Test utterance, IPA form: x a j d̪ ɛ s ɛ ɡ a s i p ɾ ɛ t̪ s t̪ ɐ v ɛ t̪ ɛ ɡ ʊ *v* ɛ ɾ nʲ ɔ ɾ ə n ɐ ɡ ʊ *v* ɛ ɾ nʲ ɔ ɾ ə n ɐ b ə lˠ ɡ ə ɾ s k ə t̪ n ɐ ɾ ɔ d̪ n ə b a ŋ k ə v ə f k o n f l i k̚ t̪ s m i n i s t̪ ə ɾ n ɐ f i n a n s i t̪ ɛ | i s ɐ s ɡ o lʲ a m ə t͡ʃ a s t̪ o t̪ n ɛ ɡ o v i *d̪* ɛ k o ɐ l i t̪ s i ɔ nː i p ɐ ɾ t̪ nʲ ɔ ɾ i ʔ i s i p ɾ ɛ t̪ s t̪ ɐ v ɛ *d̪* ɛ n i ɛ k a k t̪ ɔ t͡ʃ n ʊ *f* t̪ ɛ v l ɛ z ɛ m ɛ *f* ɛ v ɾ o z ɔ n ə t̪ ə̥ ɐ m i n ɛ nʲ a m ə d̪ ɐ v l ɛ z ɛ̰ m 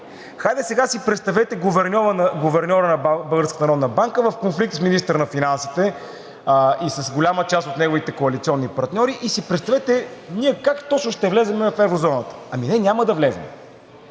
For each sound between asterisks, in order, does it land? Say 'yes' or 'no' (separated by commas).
yes, yes, no, no, no, yes